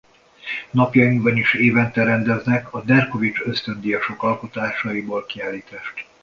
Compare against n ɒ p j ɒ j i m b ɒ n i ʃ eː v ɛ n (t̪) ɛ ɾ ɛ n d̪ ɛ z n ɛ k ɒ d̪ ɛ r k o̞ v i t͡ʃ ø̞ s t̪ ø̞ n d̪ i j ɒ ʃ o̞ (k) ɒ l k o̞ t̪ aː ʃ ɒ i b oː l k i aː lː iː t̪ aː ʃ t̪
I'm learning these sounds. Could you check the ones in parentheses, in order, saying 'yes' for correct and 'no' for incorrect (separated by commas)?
yes, yes